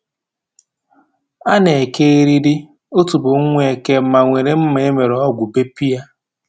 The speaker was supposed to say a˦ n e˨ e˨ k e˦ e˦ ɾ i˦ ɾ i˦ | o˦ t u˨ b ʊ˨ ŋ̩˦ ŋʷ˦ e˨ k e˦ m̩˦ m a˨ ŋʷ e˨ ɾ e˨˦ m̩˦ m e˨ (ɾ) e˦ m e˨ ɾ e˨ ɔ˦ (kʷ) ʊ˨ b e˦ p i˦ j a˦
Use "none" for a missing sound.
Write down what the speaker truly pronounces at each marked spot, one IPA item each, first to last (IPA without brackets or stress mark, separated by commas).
none, ɡʷ